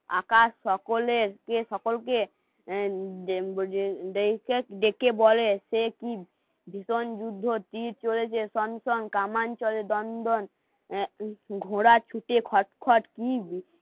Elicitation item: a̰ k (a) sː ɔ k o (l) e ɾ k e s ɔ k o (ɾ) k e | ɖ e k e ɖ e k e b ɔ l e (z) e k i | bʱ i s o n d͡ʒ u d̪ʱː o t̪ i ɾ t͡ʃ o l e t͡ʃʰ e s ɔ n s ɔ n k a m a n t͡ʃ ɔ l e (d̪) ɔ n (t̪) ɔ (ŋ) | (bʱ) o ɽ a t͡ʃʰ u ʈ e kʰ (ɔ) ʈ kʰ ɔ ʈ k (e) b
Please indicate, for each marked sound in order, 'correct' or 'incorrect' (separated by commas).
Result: correct, correct, incorrect, incorrect, correct, incorrect, incorrect, incorrect, correct, incorrect